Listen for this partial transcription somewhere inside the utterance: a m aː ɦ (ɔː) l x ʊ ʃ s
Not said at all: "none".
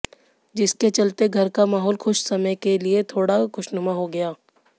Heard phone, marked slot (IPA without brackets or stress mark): ɔː